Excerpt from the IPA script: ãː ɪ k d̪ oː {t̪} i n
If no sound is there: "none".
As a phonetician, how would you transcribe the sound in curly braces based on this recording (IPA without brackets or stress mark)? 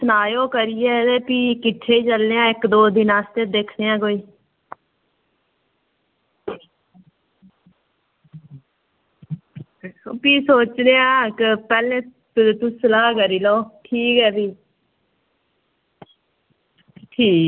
d̪